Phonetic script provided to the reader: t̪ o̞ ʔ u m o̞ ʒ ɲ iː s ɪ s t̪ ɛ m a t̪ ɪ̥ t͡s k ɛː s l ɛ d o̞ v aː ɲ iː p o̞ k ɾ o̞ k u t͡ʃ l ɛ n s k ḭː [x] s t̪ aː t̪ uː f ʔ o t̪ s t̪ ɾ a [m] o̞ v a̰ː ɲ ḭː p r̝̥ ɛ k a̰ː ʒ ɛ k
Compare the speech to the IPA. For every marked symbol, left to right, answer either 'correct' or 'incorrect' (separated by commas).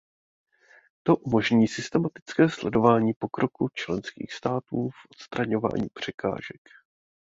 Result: correct, incorrect